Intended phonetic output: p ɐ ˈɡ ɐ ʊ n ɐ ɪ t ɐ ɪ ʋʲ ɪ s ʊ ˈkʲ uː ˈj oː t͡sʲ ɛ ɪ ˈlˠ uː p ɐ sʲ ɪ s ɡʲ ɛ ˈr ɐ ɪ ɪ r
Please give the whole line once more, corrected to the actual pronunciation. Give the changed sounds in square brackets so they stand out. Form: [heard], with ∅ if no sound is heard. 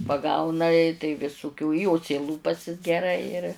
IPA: p ɐ ˈɡ ɐ ʊ n ɐ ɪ t ɐ ɪ ʋʲ ɪ s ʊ ˈkʲ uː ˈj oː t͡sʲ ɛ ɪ ˈlˠ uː p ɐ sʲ ɪ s ɡʲ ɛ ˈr ɐ ɪ ɪ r